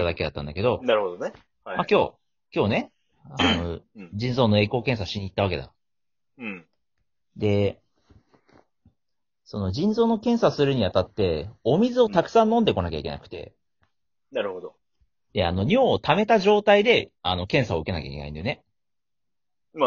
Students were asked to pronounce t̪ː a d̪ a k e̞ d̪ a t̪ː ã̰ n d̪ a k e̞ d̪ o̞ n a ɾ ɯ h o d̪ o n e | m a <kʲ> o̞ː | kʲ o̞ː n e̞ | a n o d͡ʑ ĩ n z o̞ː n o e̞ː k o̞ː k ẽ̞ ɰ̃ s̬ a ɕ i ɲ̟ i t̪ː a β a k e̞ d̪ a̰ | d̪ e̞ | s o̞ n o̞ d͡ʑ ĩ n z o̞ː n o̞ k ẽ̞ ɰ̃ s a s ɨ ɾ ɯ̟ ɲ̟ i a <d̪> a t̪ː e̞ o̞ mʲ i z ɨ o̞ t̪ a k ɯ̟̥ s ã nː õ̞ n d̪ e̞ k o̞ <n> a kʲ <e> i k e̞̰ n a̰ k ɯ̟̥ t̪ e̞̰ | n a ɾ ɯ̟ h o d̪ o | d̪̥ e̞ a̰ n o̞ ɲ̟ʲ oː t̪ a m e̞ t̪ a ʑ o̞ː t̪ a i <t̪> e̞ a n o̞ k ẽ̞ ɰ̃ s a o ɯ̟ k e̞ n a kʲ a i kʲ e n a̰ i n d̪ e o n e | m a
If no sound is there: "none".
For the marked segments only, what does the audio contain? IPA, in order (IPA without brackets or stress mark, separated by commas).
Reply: kʲ, t̪, n, a, d̪